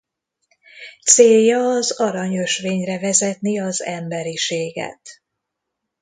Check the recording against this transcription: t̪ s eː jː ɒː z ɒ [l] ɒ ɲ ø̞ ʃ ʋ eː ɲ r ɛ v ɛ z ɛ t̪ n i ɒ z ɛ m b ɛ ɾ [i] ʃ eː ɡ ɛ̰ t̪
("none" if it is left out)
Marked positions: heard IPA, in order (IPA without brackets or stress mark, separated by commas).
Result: ɾ, i